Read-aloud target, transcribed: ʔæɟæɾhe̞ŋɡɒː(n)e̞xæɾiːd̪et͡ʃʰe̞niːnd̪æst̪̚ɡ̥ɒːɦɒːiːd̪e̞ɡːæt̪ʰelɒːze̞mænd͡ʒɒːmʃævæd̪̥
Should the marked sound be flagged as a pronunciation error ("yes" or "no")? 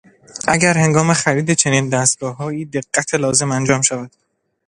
yes